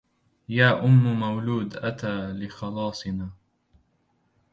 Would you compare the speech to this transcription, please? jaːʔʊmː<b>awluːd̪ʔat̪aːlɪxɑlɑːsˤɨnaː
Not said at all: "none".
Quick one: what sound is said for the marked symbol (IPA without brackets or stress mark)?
m